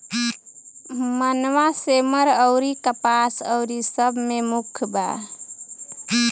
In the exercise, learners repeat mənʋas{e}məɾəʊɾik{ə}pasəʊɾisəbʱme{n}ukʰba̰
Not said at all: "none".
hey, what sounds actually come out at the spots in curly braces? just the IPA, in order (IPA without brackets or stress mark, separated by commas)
e, ə, m